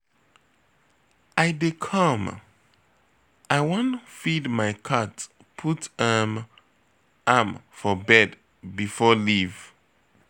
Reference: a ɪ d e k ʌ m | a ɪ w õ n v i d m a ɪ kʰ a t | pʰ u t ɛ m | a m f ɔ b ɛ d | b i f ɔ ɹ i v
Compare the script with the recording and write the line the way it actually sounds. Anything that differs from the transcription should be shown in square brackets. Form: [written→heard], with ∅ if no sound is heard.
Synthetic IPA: a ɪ d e [k→kʰ] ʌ m | a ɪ w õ n [v→f] i d m a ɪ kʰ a t | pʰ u t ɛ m | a m f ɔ b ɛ d | b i f ɔ [ɹ→l] i v